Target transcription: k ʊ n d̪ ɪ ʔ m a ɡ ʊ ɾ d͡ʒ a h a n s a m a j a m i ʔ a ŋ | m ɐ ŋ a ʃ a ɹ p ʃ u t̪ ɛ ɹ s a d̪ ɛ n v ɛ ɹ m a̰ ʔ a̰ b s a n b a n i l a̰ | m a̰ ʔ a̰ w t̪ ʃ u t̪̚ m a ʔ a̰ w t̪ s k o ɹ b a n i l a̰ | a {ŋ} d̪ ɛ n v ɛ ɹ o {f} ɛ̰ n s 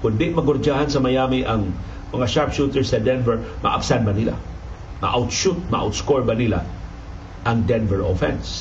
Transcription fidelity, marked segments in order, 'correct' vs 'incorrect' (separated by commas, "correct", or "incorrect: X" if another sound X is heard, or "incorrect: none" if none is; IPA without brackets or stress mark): correct, correct